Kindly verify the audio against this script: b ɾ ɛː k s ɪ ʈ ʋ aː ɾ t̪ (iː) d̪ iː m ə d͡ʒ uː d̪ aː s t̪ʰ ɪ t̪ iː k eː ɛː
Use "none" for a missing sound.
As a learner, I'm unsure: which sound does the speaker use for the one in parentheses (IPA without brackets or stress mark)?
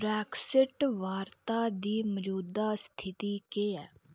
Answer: aː